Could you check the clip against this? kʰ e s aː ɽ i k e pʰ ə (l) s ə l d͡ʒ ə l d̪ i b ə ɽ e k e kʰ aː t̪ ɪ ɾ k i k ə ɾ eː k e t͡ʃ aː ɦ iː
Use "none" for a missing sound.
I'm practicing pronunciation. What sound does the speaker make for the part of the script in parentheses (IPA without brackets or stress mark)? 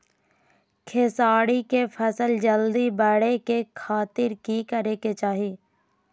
none